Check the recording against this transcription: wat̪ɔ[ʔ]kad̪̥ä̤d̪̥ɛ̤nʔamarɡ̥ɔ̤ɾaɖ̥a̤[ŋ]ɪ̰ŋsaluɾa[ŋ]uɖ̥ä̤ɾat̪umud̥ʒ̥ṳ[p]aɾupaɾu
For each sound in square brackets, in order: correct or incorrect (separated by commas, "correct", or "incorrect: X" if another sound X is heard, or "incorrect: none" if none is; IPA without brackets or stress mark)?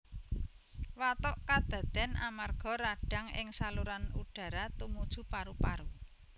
correct, correct, incorrect: n, correct